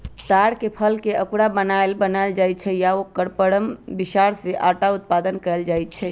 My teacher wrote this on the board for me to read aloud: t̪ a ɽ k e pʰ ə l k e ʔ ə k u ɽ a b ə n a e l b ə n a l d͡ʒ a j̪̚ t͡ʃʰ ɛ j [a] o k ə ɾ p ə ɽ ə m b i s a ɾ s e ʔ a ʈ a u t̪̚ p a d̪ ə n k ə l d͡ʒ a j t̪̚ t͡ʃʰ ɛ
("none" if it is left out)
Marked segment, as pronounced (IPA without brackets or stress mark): a